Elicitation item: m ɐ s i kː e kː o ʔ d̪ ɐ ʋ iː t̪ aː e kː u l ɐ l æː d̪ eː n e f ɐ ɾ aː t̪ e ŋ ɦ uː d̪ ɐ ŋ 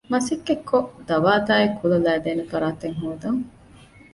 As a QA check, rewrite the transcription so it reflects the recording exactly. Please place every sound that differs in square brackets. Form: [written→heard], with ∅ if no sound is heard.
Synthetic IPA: m ɐ s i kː e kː o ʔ d̪ ɐ ʋ [iː→aː] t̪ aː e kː u l ɐ l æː d̪ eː n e f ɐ ɾ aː t̪ e ŋ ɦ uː d̪ ɐ ŋ

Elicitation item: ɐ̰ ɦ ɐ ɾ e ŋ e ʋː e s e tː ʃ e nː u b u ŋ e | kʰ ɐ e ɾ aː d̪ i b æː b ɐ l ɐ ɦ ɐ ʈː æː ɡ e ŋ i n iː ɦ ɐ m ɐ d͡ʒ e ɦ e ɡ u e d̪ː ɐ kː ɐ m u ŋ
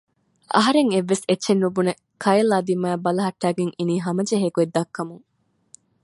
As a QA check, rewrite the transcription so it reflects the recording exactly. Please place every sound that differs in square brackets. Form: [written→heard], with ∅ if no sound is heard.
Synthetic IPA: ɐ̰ ɦ ɐ ɾ e ŋ e ʋː e s e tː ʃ e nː u b u [ŋ→n] e | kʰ ɐ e [ɾ→l] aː d̪ i [b→m] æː b ɐ l ɐ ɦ ɐ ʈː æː ɡ e ŋ i n iː ɦ ɐ m ɐ d͡ʒ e ɦ e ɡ u e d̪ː ɐ kː ɐ m u ŋ

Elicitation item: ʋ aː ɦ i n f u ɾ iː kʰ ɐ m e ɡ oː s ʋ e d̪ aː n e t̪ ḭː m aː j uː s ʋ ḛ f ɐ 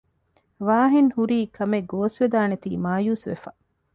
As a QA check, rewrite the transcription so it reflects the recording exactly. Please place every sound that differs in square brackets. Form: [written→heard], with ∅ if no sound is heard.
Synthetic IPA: ʋ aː ɦ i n [f→h] u ɾ iː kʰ ɐ m e ɡ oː s ʋ e d̪ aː n e t̪ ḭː m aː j uː s ʋ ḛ f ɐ

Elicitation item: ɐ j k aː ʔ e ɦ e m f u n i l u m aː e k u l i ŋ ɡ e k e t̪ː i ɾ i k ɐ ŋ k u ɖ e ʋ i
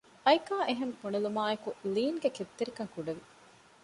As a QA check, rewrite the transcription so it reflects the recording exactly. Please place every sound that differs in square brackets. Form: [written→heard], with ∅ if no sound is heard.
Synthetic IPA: ɐ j k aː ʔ e ɦ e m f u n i l u m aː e k u l [i→iː] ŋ ɡ e k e t̪ː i ɾ i k ɐ ŋ k u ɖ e ʋ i

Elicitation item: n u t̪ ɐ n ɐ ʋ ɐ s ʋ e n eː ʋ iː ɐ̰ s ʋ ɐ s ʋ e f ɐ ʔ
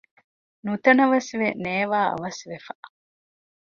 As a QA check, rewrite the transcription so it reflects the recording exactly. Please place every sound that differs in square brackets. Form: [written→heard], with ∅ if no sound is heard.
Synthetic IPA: n u t̪ ɐ n ɐ ʋ ɐ s ʋ e n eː ʋ [iː→aː] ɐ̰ [s→∅] ʋ ɐ s ʋ e f ɐ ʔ

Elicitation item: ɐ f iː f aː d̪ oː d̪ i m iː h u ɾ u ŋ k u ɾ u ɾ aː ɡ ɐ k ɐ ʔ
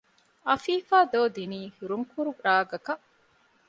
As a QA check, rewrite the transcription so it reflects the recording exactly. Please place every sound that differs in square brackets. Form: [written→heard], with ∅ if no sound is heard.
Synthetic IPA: ɐ f iː f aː d̪ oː d̪ i [m→n] iː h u ɾ u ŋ k u ɾ u ɾ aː ɡ ɐ k ɐ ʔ

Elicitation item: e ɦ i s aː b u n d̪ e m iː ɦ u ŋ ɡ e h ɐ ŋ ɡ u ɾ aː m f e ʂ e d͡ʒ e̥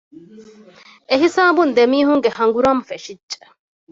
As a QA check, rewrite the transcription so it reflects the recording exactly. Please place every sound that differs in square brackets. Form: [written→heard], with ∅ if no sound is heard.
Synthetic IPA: e ɦ i s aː b u n d̪ e m iː ɦ u ŋ ɡ e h ɐ ŋ ɡ u ɾ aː m f e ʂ [e→i] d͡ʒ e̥

